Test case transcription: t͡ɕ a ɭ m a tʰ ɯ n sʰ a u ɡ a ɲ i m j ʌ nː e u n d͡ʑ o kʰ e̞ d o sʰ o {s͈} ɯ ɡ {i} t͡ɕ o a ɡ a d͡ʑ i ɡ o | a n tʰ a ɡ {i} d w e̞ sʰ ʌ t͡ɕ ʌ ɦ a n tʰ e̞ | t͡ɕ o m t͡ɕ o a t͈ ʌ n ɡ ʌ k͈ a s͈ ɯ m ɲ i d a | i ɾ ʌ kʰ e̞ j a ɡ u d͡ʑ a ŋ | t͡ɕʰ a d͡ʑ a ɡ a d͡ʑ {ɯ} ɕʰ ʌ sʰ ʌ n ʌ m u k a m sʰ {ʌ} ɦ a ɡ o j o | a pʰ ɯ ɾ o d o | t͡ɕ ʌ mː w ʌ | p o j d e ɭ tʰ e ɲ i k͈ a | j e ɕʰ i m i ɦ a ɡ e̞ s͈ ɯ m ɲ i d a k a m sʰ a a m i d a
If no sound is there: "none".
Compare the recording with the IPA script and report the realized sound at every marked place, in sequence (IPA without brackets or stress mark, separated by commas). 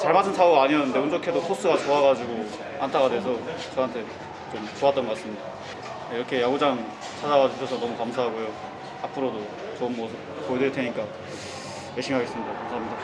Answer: s͈, a, a, u, a